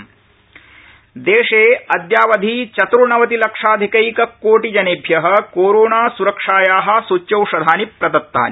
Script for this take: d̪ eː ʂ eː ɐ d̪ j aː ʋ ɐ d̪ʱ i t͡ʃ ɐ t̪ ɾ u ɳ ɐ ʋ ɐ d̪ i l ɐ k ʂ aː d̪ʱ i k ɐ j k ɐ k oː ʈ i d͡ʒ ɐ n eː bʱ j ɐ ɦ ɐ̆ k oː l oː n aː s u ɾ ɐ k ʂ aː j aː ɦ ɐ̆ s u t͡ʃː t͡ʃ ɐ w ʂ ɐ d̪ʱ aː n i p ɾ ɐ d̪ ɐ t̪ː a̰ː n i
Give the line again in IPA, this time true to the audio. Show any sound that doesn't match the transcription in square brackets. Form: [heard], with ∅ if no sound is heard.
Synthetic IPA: d̪ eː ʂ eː ɐ d̪ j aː ʋ ɐ d̪ʱ i t͡ʃ ɐ t̪ ɾ u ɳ ɐ ʋ ɐ [t̪] i l ɐ k ʂ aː d̪ʱ i k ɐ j k ɐ k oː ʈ i d͡ʒ ɐ n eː bʱ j ɐ ɦ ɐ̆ k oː [ɾ] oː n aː s u ɾ ɐ k ʂ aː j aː ɦ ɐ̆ s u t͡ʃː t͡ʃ ɐ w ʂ ɐ d̪ʱ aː n i p ɾ ɐ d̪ ɐ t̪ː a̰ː n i